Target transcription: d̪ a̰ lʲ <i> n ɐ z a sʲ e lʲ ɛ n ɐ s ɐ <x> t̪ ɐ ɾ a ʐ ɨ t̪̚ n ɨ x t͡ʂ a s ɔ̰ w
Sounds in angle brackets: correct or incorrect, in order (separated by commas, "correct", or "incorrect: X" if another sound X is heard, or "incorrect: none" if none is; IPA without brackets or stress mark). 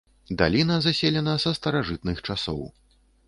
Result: correct, incorrect: s